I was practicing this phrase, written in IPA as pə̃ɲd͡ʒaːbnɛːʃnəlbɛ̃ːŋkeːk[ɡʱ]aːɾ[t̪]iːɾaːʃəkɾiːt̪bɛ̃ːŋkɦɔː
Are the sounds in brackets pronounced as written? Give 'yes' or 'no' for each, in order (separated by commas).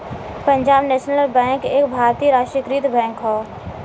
no, yes